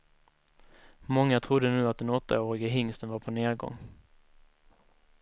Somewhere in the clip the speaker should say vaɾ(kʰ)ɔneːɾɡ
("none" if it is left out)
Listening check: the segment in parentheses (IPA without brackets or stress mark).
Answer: pʰ